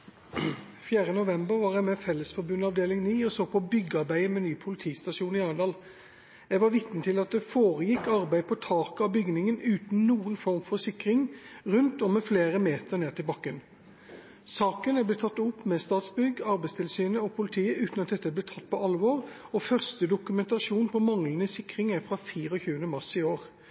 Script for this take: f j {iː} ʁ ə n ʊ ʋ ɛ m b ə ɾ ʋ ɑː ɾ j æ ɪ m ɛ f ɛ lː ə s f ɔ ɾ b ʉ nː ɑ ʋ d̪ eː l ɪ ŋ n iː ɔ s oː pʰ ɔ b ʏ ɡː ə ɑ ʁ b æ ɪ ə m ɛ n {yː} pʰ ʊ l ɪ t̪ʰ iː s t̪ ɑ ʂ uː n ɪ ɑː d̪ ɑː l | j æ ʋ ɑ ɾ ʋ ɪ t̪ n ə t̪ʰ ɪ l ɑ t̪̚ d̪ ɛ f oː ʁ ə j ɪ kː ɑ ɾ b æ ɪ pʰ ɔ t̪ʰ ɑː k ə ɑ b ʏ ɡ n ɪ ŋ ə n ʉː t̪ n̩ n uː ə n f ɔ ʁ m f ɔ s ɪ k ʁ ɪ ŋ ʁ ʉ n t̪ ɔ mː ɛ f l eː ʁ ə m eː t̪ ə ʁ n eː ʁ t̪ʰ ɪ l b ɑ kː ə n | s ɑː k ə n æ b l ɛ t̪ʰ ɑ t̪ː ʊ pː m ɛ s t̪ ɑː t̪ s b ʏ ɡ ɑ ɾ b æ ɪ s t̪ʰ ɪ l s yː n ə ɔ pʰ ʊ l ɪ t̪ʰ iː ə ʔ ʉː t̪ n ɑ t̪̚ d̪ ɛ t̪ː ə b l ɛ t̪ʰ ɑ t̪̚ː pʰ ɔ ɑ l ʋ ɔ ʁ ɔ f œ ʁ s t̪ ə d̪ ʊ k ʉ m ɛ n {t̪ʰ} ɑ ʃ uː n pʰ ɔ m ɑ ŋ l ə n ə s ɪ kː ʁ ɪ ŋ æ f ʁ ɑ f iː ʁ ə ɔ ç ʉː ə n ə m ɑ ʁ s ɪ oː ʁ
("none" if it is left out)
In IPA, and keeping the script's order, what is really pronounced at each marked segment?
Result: æː, yː, t̪

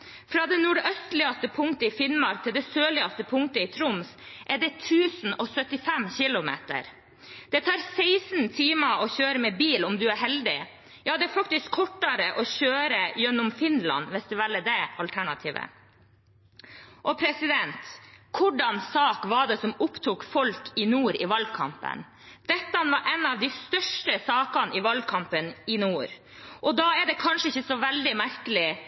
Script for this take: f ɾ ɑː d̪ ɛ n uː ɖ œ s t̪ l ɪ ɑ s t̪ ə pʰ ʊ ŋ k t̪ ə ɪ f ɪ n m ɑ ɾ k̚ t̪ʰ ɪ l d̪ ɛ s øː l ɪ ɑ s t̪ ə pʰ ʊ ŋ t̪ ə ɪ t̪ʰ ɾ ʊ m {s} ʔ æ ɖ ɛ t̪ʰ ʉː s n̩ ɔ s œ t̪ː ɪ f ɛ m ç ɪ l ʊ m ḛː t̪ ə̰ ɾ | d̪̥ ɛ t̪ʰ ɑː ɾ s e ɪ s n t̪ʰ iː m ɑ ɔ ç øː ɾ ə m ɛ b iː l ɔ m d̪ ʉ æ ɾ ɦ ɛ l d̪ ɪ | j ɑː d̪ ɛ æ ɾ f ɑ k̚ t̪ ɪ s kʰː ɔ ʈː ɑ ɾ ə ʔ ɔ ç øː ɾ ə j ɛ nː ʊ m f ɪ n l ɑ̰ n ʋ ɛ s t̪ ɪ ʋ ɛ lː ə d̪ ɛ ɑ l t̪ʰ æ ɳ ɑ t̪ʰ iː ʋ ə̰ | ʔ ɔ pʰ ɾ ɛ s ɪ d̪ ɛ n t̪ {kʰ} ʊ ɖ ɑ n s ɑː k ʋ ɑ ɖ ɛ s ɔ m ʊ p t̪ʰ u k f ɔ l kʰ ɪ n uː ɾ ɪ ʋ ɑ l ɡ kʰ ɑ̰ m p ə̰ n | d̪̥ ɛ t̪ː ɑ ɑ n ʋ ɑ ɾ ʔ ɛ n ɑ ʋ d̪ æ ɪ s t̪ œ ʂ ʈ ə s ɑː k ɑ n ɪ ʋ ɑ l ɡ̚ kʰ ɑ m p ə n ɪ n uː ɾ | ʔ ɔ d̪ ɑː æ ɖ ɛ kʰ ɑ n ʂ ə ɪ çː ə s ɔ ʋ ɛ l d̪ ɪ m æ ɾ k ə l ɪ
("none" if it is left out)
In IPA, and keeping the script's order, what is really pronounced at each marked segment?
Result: s, kʰ

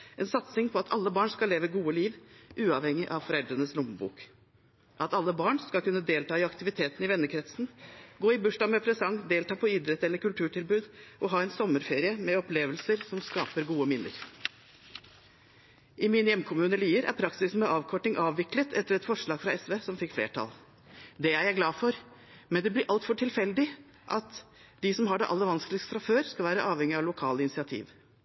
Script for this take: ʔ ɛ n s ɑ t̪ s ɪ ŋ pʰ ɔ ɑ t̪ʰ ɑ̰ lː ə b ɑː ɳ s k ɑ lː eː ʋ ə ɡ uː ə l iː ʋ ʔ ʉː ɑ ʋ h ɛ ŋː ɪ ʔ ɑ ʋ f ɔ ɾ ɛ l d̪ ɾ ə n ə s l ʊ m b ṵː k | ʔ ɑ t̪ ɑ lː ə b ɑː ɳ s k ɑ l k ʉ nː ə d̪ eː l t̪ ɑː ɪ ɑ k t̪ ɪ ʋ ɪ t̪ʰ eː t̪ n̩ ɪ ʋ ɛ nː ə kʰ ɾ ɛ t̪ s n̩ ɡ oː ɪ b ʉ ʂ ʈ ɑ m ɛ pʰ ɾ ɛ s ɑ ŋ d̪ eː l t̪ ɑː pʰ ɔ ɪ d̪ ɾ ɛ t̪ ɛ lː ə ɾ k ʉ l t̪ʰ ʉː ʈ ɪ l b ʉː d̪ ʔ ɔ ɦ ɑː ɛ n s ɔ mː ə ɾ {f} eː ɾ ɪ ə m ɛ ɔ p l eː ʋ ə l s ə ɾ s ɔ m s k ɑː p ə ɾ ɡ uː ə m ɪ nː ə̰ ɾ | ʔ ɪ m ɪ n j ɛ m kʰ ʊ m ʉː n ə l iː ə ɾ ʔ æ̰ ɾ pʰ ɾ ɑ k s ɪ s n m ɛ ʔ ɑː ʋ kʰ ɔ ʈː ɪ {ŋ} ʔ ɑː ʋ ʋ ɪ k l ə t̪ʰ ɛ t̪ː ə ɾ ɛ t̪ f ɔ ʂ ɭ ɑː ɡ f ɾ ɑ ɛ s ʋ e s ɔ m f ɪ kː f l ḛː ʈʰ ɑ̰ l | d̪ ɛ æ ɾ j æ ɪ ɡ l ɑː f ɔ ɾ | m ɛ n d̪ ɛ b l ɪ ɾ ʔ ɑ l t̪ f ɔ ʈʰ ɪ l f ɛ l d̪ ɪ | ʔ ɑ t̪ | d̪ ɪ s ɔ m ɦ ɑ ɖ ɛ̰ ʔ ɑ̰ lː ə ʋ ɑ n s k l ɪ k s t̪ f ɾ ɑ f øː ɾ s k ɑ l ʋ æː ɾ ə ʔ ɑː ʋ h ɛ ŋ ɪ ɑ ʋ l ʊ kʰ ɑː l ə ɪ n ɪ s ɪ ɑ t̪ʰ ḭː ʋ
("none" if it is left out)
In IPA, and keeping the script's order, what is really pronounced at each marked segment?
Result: f, ŋ

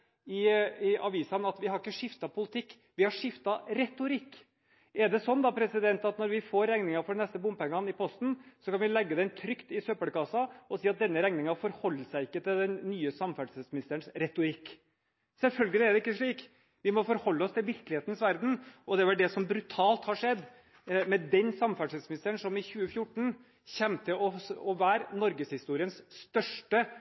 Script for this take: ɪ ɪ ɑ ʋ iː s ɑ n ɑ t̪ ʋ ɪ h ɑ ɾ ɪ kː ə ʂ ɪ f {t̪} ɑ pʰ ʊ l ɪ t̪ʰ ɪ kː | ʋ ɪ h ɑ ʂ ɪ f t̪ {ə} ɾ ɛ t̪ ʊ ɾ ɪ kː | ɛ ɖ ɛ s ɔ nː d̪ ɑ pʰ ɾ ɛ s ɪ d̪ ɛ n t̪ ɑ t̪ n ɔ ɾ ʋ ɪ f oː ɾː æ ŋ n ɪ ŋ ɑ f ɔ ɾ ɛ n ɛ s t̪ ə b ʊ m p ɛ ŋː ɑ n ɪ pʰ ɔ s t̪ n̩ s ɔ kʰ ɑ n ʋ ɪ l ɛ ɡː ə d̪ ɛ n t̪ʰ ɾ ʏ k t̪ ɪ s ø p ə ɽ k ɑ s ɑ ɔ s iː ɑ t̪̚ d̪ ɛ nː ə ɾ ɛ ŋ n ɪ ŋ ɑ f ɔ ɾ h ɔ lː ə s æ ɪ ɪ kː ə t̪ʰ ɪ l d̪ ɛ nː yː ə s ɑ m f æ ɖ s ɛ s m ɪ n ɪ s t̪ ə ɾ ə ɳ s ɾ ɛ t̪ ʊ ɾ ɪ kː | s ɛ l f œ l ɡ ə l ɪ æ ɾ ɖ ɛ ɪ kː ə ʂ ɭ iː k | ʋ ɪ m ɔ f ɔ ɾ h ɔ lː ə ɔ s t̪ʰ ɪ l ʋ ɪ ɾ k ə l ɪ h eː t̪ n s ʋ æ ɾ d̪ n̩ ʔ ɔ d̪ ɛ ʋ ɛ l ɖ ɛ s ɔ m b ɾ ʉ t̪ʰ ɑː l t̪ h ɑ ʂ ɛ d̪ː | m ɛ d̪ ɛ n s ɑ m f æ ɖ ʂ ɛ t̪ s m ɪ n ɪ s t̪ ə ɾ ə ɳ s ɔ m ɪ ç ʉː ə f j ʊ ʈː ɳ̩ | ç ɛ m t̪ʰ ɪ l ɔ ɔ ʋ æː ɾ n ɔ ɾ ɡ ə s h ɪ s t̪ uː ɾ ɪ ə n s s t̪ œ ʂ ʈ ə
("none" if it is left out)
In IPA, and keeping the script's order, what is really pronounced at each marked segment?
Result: t̪, ɑ

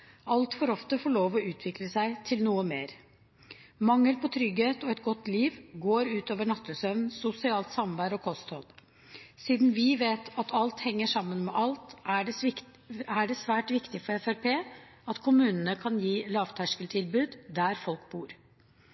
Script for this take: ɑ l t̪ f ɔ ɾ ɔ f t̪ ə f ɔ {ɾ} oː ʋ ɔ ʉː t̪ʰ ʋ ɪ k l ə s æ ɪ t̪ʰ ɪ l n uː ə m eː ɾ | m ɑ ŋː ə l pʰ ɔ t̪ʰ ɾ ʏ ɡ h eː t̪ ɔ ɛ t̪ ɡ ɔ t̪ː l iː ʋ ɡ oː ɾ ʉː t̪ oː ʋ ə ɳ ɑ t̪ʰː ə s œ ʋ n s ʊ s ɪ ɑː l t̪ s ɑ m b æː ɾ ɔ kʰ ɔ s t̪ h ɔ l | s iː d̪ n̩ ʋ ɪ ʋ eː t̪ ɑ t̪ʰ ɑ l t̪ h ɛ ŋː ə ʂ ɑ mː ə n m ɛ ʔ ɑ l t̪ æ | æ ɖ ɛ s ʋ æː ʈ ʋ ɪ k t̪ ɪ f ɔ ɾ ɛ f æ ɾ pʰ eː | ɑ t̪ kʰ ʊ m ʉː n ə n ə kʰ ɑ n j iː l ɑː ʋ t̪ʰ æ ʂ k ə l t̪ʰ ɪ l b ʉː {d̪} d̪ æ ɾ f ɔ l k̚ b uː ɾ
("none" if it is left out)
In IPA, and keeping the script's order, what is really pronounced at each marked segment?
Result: ɭ, d̪

